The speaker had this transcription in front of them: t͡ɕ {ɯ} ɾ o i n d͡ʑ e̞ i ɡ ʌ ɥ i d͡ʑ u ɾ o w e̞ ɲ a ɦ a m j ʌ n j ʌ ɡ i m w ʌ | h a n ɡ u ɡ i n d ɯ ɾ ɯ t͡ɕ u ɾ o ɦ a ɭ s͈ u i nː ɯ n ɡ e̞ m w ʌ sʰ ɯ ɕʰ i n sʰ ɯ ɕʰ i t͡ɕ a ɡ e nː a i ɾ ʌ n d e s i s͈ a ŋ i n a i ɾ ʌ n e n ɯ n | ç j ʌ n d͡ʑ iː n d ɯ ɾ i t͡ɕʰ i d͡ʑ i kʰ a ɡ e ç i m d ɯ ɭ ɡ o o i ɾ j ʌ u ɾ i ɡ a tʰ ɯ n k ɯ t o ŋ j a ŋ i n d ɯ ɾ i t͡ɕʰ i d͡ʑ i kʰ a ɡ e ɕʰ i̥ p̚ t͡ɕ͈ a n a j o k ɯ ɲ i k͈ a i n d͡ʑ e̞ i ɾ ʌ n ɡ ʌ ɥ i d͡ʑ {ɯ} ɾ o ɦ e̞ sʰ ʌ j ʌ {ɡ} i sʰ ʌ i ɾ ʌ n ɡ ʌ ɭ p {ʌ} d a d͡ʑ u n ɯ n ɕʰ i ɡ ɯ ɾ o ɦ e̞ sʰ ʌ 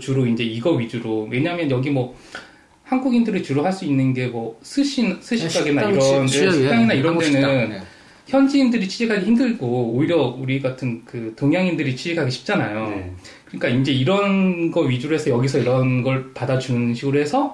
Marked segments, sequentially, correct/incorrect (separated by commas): incorrect, incorrect, correct, incorrect